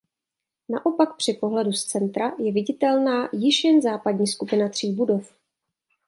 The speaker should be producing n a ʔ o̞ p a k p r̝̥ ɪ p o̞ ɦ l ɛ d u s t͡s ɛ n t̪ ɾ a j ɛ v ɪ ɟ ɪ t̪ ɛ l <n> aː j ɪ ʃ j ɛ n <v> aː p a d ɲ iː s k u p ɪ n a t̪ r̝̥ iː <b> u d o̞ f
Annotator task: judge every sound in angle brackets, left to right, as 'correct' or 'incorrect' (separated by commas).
correct, incorrect, correct